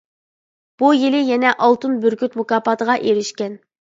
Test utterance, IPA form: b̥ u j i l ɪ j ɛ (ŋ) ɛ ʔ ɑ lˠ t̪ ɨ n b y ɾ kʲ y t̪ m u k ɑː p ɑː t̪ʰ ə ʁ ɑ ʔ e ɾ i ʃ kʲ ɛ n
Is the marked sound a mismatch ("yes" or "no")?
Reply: yes